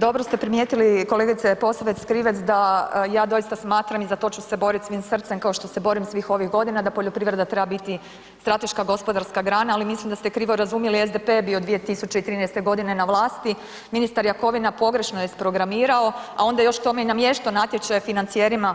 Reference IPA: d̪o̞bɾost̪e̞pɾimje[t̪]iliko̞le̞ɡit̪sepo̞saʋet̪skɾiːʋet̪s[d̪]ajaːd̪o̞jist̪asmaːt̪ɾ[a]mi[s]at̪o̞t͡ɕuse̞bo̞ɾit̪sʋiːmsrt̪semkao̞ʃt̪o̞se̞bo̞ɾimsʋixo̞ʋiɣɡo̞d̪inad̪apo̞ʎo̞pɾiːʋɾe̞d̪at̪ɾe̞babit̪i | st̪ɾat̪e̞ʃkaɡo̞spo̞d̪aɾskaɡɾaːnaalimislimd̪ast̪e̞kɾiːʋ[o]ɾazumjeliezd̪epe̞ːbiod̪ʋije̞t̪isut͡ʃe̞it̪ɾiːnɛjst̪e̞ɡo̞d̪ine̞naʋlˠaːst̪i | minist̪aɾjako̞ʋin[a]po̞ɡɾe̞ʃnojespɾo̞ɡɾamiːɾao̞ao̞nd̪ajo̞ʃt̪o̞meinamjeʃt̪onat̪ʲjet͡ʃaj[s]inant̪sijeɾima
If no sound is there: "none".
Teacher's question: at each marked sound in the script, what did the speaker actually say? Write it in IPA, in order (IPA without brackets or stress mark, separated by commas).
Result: t̪, d̪, a, z, o, a, f